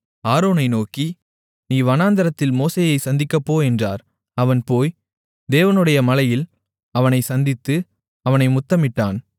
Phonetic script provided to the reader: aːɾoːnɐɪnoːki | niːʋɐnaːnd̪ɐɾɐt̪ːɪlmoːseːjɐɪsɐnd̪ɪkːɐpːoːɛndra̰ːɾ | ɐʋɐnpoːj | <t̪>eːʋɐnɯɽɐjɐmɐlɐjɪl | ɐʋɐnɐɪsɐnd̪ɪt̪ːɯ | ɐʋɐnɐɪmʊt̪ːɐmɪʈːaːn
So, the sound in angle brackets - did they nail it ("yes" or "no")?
no